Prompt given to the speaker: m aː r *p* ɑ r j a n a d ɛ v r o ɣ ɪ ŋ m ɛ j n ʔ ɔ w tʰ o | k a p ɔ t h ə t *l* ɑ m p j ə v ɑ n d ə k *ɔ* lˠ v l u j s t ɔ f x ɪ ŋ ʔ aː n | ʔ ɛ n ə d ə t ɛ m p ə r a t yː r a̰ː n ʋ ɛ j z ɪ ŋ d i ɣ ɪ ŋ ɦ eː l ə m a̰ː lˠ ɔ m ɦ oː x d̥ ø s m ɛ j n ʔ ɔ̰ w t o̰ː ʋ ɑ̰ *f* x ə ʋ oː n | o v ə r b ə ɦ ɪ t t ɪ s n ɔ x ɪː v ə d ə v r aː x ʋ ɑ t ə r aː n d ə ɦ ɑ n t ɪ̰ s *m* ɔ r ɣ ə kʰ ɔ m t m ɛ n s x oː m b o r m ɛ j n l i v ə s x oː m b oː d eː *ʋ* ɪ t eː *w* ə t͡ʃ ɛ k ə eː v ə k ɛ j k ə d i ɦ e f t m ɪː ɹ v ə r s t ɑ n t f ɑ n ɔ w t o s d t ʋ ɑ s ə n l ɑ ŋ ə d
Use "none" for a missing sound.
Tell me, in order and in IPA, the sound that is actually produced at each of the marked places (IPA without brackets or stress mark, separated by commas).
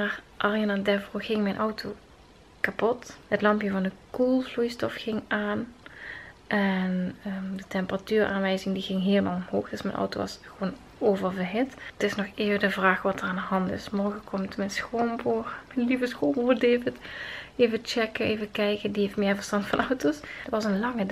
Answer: ʔ, l, u, s, m, v, v